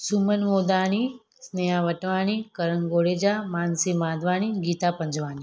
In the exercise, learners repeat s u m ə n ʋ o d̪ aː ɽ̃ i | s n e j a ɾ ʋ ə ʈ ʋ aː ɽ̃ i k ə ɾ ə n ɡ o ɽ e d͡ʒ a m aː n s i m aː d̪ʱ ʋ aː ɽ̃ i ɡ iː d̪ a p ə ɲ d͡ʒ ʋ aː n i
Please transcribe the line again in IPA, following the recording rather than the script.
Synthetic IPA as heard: s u m ə n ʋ o d̪ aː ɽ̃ i | s n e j a ʋ ə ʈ ʋ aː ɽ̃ i k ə ɾ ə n ɡ o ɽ e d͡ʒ a m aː n s i m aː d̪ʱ ʋ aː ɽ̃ i ɡ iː t̪ a p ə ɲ d͡ʒ ʋ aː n i

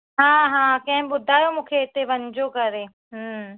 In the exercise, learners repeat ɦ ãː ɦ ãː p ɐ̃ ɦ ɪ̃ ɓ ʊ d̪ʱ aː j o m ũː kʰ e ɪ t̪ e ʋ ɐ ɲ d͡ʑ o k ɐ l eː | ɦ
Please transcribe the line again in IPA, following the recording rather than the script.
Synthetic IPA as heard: ɦ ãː ɦ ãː k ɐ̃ ɦ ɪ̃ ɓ ʊ d̪ʱ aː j o m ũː kʰ e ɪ t̪ e ʋ ɐ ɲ d͡ʑ o k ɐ ɾ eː | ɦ

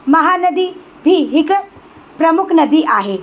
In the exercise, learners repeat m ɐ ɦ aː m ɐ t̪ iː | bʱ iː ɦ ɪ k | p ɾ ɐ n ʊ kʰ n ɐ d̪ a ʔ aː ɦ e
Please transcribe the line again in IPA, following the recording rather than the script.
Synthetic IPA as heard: m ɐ ɦ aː n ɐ d̪ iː | bʱ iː ɦ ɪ k | p ɾ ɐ m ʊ kʰ n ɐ d̪ i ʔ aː ɦ e

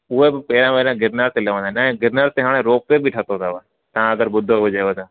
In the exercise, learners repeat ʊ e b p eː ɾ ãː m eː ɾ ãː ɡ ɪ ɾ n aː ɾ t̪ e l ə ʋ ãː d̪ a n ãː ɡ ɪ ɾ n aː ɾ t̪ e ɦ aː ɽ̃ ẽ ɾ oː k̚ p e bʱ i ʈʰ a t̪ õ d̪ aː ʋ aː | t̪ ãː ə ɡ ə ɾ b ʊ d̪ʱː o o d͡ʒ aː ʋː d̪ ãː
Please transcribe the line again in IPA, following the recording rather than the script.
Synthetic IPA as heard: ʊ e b p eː ɾ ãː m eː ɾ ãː ɡ ɪ ɾ n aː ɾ t̪ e l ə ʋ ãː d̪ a n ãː ɡ ɪ ɾ n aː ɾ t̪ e ɦ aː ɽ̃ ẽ ɾ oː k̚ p e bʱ i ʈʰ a t̪ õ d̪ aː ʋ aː | t̪ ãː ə ɡ ə ɾ b ʊ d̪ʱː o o d͡ʒ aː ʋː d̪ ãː

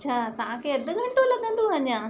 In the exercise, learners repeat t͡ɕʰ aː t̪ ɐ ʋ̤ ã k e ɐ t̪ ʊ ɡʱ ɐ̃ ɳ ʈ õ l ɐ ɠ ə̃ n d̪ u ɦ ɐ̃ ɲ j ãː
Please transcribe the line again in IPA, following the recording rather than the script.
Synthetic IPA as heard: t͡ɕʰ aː t̪ ɐ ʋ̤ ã k e ɐ d̪ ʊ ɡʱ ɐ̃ ɳ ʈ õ l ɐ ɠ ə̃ n d̪ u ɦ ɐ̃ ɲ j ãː

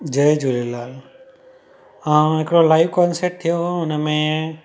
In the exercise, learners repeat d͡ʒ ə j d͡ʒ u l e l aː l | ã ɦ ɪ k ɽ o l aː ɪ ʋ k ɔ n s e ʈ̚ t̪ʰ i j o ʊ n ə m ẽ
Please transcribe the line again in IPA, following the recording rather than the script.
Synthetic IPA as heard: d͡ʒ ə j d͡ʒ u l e l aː l | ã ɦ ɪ k ɽ o l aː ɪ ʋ k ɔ n s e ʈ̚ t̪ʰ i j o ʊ n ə m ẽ

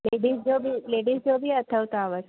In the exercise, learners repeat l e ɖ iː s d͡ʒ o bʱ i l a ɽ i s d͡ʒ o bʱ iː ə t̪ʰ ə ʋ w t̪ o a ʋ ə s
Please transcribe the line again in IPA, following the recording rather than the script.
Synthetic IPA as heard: l e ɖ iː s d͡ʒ o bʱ i l e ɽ i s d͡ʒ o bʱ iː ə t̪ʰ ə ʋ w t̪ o a ʋ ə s

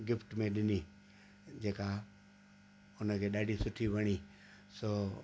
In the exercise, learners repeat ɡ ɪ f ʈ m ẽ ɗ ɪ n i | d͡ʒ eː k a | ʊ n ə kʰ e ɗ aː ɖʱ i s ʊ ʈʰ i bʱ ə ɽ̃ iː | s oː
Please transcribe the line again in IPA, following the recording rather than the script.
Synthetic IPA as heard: ɡ ɪ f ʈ m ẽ ɗ ɪ n i | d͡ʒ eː k a | ʊ n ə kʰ e ɗ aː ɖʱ i s ʊ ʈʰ i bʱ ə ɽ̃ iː | s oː

